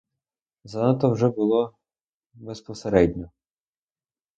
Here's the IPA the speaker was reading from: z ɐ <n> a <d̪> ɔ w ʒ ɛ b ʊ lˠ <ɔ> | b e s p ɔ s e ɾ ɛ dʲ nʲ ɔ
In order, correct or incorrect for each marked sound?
correct, incorrect: t̪, correct

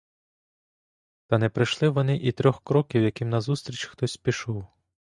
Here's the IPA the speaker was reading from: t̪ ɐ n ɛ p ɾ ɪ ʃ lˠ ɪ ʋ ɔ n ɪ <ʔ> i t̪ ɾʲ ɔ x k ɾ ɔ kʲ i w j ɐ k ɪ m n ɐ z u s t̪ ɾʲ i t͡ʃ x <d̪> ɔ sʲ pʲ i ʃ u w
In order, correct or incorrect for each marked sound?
correct, incorrect: t̪

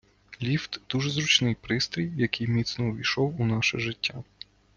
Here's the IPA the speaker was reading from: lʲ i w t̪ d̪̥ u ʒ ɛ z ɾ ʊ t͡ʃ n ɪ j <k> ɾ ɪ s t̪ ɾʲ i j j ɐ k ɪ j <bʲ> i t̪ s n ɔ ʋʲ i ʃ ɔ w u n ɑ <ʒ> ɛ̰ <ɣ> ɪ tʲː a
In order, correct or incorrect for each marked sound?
incorrect: p, incorrect: mʲ, incorrect: ʃ, incorrect: ʒ

